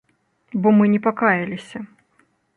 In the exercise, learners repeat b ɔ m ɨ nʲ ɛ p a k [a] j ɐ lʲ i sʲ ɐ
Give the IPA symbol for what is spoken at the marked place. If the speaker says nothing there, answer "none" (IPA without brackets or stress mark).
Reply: a